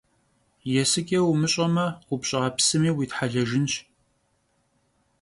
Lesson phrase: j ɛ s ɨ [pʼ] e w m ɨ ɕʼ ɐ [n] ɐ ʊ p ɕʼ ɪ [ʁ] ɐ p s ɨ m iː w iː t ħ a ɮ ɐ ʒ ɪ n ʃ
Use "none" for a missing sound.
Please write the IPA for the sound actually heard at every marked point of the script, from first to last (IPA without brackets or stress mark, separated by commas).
kʼ, m, ʁ